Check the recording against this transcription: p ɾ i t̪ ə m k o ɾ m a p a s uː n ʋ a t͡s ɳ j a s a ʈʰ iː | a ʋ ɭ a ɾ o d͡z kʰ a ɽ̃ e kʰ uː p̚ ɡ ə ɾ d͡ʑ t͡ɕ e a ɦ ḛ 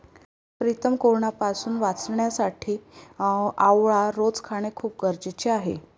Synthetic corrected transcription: p ɾ i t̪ ə m k o ɾ ɳ a p a s uː n ʋ a t͡s ɳ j a s a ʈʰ iː | a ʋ ɭ a ɾ o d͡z kʰ a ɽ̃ e kʰ uː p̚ ɡ ə ɾ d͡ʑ t͡ɕ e a ɦ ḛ